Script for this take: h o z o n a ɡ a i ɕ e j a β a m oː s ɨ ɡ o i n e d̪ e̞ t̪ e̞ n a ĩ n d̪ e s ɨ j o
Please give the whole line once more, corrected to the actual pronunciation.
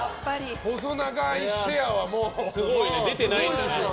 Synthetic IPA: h o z o n a ɡ a i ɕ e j a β a m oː s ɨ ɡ o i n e d̪ e̞ t̪ e̞ n a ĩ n d̪ e s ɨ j o